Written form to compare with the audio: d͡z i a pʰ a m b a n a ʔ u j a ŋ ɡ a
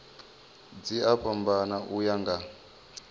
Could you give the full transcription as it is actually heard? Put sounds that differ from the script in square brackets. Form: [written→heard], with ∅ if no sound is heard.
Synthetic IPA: d͡z i a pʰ a m b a n a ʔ u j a ŋ ɡ a